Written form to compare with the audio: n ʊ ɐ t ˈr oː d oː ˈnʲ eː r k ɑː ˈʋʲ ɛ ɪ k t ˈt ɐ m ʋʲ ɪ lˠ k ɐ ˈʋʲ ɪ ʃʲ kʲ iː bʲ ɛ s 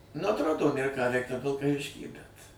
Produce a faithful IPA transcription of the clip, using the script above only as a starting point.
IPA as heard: n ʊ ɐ t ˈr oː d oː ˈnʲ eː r k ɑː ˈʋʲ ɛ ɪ k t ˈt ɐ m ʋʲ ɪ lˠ k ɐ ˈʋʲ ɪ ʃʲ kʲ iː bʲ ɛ t

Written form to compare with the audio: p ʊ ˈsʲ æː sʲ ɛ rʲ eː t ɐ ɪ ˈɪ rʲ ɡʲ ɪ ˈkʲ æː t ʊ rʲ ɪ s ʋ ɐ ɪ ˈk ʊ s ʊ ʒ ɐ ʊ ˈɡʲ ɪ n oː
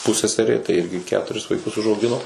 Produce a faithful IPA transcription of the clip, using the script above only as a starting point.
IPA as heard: p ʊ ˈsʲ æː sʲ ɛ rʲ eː t ɐ ɪ ˈɪ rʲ ɡʲ ɪ ˈkʲ æː t ʊ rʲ ɪ s ʋ ɐ ɪ ˈk ʊ s ʊ ʒ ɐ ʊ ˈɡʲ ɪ n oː

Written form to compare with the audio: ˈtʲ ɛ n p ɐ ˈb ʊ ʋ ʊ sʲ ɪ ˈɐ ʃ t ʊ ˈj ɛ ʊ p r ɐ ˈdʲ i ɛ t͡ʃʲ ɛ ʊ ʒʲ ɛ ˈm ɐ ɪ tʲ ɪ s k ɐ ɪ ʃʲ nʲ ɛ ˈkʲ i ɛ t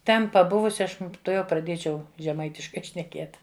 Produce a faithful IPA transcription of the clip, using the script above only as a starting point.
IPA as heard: ˈtʲ ɛ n p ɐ ˈb ʊ ʋ ʊ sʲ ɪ ˈɐ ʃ t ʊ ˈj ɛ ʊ p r ɐ ˈdʲ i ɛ t͡ʃʲ ɛ ʊ ʒʲ ɛ ˈm ɐ ɪ tʲ ɪ ʃ k ɐ ɪ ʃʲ nʲ ɛ ˈkʲ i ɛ t

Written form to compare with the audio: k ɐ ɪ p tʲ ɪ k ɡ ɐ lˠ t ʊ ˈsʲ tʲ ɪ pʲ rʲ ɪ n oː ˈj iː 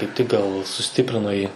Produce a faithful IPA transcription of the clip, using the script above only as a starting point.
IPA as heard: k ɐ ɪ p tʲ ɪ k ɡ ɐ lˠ s ʊ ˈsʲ tʲ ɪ pʲ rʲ ɪ n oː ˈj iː

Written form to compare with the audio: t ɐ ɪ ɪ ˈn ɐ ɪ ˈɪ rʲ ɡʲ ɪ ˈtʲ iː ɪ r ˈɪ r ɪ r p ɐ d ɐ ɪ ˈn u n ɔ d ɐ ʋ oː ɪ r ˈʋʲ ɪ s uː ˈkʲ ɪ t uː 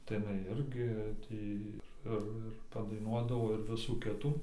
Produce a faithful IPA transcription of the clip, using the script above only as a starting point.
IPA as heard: t ɐ ɪ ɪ ˈn ɐ ɪ ˈɪ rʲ ɡʲ ɪ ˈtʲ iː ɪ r ˈɪ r ɪ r p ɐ d ɐ ɪ ˈn u ɔ d ɐ ʋ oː ɪ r ˈʋʲ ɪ s uː ˈkʲ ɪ t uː

